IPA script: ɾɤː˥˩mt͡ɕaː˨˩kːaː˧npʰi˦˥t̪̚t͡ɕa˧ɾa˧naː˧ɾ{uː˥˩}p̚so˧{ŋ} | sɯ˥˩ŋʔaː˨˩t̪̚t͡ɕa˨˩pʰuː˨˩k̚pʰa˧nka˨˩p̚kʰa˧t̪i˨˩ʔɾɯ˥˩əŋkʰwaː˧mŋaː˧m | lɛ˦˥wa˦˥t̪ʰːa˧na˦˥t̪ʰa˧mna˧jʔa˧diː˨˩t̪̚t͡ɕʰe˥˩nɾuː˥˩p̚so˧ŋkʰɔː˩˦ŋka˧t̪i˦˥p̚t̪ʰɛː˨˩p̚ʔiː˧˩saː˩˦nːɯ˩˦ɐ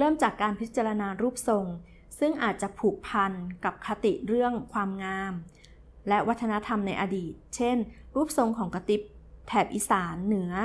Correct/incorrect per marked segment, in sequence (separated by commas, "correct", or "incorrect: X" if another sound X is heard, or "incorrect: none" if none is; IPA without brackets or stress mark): correct, correct